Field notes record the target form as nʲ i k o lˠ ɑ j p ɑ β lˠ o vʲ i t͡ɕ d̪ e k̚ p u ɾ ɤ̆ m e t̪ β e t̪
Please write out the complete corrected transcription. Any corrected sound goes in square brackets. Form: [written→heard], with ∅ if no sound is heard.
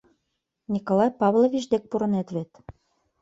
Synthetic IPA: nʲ i k o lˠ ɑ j p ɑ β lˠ o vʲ i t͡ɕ d̪ e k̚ p u ɾ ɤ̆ [m→n] e t̪ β e t̪